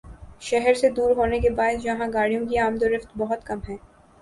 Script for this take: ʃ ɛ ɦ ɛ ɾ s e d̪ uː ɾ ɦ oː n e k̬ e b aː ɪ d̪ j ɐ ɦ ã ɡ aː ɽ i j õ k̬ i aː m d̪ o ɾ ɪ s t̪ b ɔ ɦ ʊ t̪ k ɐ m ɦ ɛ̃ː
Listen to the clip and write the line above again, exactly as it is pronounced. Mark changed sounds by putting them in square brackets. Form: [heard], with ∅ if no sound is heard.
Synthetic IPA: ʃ ɛ ɦ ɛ ɾ s e d̪ uː ɾ ɦ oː n e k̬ e b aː ɪ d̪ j ɐ ɦ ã ɡ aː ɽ i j õ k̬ i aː m d̪ o ɾ ɪ [f] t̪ b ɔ ɦ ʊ t̪ k ɐ m ɦ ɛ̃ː